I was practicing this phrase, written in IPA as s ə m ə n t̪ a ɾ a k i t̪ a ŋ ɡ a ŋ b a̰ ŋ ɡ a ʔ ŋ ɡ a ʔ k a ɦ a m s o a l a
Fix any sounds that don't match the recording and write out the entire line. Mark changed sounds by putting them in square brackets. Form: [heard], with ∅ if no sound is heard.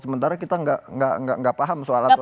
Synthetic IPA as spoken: s ə m ə n t̪ a ɾ a k i t̪ a ŋ ɡ a ŋ [ɡ] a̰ ŋ ɡ a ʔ ŋ ɡ a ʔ [p] a ɦ a m s o a l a